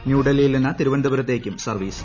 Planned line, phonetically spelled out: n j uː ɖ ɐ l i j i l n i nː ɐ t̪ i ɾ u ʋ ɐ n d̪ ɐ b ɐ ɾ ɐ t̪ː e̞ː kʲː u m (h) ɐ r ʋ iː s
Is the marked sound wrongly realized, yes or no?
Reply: yes